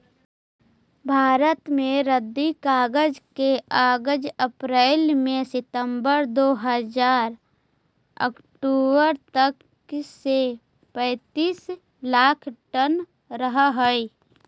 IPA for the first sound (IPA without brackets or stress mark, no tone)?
bʱ